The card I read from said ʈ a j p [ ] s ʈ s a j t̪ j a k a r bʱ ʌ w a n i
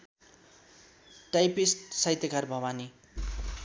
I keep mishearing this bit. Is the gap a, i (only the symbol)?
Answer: i